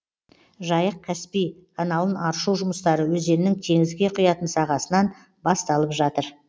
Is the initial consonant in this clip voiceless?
no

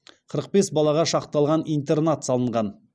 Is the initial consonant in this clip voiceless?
yes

